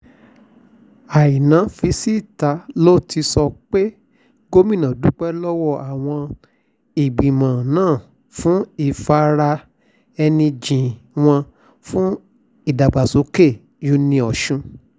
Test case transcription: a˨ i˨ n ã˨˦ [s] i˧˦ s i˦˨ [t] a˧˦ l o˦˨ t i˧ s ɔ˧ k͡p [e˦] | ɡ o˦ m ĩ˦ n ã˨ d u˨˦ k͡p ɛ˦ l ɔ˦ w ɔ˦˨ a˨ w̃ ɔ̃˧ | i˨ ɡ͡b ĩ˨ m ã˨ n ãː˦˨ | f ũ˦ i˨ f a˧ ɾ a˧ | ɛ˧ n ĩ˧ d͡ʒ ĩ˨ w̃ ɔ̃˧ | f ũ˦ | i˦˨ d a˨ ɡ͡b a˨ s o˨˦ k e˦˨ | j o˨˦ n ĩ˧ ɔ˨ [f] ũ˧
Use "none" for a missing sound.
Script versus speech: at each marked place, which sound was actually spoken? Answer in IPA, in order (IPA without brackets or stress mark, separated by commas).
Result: f, t, e˦, ʃ